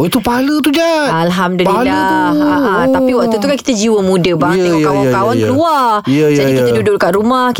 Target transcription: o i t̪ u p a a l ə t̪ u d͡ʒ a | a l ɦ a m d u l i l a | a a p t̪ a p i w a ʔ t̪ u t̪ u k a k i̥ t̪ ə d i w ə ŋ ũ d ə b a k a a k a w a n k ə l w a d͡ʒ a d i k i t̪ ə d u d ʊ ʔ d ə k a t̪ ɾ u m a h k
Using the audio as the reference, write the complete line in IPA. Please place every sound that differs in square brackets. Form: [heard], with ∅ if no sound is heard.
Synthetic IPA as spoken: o i t̪ u p a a l ə t̪ u d͡ʒ a | a l ɦ a m d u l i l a | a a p t̪ a p i w a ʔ t̪ u t̪ u k a k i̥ t̪ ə [d͡ʒ] i w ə [m] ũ d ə b a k a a k a w a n k ə l [u] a d͡ʒ a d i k i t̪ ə d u d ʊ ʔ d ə k a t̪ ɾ u m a h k